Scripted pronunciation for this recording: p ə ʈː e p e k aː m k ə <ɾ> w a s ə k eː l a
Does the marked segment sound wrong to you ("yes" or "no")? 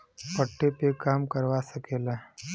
no